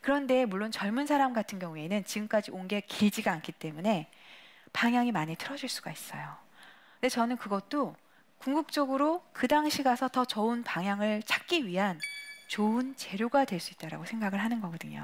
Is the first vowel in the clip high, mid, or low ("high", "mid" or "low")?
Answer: high